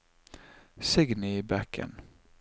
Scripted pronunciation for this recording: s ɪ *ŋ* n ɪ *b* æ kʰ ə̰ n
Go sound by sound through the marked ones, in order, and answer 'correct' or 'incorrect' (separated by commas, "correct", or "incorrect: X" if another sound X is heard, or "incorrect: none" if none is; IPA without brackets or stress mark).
incorrect: ɡ, correct